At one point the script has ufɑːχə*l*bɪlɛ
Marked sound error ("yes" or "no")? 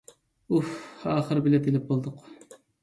yes